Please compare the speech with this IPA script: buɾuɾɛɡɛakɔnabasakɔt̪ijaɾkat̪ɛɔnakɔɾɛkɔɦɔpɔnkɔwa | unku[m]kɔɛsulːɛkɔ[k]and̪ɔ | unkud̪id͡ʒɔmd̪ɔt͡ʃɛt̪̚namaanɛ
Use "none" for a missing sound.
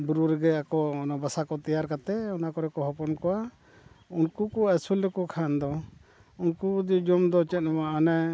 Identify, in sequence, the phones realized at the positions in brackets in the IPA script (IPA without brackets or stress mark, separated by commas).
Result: none, kʰ